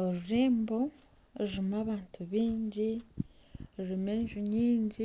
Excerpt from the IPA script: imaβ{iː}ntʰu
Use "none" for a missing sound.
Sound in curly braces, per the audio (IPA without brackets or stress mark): aː